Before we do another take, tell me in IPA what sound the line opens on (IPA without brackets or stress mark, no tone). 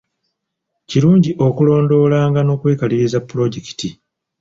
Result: c